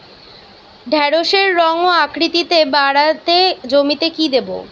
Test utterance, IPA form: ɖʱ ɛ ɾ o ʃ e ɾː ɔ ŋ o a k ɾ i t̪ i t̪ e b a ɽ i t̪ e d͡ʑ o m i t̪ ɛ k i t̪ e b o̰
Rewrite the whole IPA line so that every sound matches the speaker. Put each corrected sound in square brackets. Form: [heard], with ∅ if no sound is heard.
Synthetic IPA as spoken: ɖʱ ɛ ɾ o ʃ e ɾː ɔ ŋ o a k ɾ i t̪ i t̪ e b a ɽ [a] t̪ e d͡ʑ o m i t̪ [e] k i [d̪] e b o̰